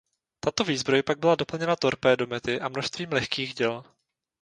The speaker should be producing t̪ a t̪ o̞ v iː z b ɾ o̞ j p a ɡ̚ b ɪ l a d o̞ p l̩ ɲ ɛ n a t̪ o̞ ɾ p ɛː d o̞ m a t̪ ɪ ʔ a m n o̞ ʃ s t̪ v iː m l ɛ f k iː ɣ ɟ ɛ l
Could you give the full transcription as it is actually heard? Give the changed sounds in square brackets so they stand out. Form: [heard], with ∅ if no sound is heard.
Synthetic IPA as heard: t̪ a t̪ o̞ v iː z b ɾ o̞ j p a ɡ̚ b ɪ l a d o̞ p l̩ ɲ ɛ n a t̪ o̞ ɾ p ɛː d o̞ m [ɛ] t̪ ɪ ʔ a m n o̞ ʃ s t̪ v iː m l ɛ [x] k iː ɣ ɟ ɛ l